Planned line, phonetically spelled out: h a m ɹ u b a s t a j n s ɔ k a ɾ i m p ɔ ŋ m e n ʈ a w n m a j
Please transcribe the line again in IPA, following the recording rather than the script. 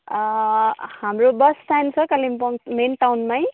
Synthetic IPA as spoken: h a m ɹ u b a s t a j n s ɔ k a l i m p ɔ ŋ m e n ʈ a w n m a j